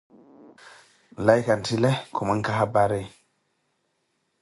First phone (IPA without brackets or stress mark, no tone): l